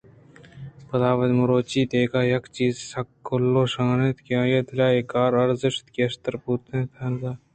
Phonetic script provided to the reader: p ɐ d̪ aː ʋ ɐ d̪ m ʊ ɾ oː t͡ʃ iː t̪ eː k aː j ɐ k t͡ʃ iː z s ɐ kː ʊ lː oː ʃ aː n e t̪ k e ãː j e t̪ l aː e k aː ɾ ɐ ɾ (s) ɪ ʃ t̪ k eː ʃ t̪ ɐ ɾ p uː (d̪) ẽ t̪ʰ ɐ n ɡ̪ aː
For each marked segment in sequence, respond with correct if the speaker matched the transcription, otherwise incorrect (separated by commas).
incorrect, incorrect